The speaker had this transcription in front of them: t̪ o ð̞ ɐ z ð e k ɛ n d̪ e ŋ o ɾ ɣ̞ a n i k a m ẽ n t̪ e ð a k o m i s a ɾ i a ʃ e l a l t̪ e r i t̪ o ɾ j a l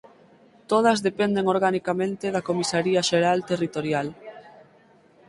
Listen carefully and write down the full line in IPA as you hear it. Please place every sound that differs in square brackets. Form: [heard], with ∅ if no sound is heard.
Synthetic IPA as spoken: t̪ o ð̞ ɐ z ð e [p] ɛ n d̪ e ŋ o ɾ ɣ̞ a n i k a m ẽ n t̪ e ð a k o m i s a ɾ i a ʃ e [ɾ] a l t̪ e r i t̪ o ɾ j a l